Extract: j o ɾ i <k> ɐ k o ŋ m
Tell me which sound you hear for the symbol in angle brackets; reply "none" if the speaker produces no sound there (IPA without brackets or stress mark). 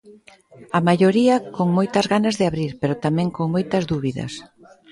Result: none